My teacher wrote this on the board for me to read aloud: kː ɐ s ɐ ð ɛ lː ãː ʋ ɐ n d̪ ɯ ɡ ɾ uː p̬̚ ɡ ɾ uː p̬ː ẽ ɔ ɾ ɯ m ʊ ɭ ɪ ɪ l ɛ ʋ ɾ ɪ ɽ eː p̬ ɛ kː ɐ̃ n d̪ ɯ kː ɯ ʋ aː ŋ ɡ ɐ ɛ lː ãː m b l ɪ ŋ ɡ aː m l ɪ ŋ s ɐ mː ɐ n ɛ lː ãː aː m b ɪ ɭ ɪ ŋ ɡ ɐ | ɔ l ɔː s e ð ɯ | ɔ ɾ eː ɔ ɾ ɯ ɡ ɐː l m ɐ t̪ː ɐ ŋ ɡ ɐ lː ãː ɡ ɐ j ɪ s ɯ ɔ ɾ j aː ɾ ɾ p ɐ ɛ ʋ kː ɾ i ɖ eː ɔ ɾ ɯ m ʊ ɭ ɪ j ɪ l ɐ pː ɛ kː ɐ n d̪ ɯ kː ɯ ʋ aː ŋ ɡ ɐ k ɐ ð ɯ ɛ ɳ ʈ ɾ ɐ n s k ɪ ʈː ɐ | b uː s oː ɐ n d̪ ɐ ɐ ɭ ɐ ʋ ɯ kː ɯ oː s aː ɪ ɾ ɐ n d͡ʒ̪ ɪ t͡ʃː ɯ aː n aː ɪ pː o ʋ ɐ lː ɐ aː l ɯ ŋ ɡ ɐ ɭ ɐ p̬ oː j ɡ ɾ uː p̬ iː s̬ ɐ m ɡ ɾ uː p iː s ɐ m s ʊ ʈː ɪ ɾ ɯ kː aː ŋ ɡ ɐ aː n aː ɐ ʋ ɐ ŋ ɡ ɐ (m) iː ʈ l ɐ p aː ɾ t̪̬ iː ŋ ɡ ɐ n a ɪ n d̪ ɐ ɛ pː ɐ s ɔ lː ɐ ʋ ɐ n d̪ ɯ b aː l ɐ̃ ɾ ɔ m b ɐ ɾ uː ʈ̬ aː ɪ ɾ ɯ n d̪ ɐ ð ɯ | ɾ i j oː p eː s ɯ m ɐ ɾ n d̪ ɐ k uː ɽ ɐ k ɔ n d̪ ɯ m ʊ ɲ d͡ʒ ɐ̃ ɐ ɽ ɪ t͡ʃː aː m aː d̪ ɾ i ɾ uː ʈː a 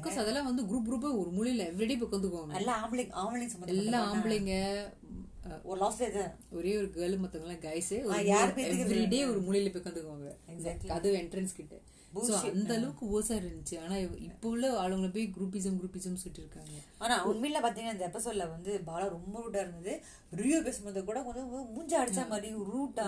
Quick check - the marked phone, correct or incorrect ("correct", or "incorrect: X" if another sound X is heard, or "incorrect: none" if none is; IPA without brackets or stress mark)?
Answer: correct